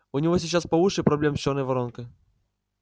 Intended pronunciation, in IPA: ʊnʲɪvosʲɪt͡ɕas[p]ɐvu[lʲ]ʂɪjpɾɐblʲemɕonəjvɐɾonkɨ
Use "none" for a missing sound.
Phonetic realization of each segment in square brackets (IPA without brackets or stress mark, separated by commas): p, none